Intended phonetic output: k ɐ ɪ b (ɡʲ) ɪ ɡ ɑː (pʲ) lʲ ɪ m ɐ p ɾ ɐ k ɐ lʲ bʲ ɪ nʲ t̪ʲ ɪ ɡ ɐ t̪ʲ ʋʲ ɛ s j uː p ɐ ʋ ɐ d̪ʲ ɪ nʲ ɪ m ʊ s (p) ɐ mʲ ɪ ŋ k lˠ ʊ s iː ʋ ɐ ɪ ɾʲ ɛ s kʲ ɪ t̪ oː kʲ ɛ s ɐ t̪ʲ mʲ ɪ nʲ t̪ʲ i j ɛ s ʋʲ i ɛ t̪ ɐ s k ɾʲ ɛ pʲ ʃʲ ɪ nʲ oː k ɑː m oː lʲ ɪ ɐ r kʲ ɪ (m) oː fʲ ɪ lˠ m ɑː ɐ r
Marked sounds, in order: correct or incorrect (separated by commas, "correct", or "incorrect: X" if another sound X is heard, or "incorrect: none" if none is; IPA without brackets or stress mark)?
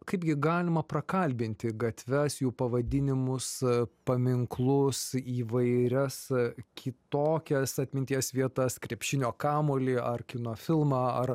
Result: correct, incorrect: none, correct, incorrect: n